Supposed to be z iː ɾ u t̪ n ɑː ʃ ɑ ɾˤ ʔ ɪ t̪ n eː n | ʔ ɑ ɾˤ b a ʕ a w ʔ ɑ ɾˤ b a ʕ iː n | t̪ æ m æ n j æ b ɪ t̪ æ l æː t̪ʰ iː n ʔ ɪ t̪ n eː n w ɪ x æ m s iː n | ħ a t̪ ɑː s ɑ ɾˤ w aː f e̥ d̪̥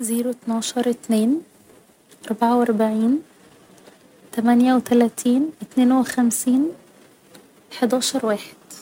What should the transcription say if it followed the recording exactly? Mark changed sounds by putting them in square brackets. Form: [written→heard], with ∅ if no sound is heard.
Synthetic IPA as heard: z iː ɾ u t̪ n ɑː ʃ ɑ ɾˤ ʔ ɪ t̪ n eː n | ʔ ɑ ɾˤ b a ʕ a w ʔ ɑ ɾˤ b a ʕ iː n | t̪ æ m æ n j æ [b→w] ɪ t̪ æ l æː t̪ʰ iː n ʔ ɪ t̪ n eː n w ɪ x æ m s iː n | ħ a [t̪→d̪] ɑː [s→ʃ] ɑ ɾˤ w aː [f→ħ] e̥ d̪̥